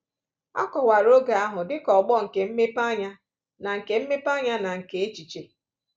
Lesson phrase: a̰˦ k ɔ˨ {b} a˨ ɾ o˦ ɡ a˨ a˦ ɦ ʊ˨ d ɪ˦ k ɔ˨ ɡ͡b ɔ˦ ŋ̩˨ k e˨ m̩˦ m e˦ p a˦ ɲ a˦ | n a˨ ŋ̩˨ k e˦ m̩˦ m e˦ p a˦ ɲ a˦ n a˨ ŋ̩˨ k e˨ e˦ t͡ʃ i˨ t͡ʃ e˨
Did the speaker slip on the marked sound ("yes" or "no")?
yes